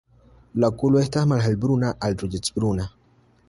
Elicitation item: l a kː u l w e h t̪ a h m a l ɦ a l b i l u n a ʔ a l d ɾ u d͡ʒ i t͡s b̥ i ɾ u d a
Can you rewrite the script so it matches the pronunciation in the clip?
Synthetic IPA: l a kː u l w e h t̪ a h m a l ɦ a l b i ɾ u n a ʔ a l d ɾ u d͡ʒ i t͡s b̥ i ɾ u n a

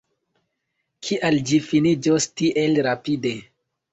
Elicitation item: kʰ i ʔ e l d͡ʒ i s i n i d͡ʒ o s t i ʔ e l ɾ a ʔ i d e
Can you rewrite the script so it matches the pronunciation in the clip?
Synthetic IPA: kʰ i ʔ a l d͡ʒ i f i n i d͡ʒ o s t i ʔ e l ɾ a p i d e

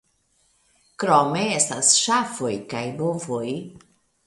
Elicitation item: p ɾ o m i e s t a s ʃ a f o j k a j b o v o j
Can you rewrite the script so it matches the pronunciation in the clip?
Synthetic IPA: k ɾ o m e e s t a s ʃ a f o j k a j b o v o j

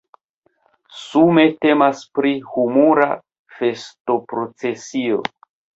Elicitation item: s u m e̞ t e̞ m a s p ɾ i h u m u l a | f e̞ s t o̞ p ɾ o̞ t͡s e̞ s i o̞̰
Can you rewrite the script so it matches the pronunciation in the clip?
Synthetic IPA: s u m e̞ t e̞ m a s p ɾ i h u m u ɾ a | f e̞ s t o̞ p ɾ o̞ t͡s e̞ s i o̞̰

